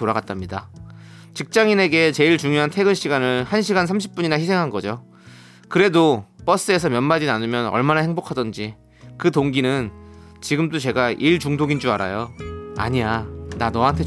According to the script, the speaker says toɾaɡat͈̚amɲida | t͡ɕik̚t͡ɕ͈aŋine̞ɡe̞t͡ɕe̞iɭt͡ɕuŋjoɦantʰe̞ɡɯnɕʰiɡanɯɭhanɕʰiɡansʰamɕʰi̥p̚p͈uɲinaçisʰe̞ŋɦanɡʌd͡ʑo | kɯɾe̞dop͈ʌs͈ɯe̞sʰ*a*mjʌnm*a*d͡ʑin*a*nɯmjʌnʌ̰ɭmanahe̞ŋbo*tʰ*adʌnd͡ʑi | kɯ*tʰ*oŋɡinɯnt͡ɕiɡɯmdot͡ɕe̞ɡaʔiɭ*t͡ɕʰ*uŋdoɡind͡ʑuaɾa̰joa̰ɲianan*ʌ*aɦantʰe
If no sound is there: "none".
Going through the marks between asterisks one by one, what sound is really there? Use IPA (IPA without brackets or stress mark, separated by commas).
ʌ, a, a, kʰ, t, t͡ɕ, ʌ